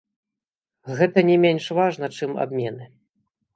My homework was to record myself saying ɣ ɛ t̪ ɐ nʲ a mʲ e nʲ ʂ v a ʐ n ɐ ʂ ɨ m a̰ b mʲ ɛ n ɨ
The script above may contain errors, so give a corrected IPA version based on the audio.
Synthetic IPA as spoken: ɣ ɛ t̪ ɐ nʲ ɛ mʲ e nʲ ʂ v a ʐ n ɐ t͡ʂ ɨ m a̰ b mʲ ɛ n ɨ